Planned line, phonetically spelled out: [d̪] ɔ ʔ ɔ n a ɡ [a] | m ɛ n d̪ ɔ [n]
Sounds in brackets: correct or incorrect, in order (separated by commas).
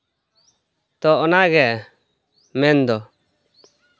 incorrect, incorrect, incorrect